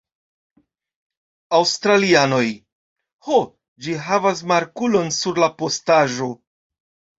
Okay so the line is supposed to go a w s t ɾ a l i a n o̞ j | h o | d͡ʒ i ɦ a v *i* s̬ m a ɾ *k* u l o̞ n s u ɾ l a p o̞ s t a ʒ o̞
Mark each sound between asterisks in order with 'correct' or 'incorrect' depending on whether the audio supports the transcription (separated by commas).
incorrect, correct